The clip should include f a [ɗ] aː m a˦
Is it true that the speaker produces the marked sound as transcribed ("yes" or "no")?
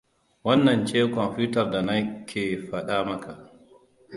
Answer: yes